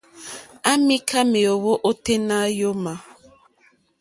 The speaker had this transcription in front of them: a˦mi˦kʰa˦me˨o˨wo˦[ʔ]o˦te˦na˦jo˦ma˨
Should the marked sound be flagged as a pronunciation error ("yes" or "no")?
no